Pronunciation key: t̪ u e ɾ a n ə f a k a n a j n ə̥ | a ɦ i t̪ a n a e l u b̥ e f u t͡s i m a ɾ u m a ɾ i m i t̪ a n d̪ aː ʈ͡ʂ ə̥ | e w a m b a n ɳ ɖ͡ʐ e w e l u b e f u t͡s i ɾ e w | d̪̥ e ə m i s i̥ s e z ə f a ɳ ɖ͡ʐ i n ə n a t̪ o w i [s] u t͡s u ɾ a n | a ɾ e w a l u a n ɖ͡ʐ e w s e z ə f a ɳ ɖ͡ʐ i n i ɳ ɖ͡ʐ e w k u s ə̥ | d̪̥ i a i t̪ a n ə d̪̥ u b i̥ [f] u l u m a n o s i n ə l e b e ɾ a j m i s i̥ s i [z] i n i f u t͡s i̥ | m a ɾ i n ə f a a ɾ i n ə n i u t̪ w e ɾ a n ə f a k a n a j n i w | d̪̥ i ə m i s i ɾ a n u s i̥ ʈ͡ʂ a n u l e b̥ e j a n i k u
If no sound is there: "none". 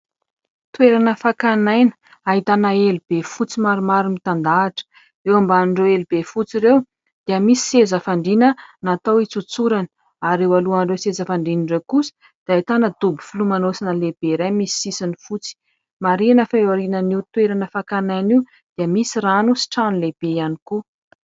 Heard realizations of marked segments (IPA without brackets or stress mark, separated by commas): t͡s, f, s